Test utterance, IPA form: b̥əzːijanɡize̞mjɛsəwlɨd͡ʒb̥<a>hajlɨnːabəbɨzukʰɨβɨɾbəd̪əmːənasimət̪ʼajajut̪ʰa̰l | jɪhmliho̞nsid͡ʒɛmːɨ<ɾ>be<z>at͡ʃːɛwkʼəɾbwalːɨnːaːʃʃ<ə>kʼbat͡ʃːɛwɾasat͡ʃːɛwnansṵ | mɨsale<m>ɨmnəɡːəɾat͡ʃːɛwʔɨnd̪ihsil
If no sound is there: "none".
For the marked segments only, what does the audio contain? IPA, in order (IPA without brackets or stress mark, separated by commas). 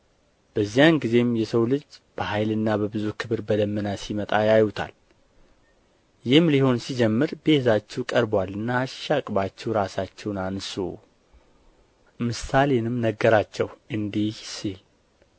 ə, ɾ, z, a, n